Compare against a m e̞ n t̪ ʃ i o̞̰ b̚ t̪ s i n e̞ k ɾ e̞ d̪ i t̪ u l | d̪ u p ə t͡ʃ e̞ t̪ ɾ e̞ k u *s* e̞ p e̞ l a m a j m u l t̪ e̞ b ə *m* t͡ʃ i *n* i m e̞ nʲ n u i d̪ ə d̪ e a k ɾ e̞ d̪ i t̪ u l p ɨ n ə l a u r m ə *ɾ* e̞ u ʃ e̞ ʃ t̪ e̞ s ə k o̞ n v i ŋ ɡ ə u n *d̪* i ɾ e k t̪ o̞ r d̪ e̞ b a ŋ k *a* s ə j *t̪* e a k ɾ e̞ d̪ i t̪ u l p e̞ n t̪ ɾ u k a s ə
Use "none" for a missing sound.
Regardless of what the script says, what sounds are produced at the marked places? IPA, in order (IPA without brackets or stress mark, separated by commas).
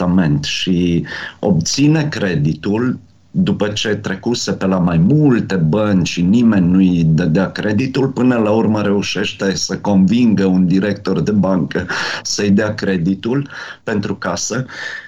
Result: s, n, n, ɾ, d̪, ə, d̪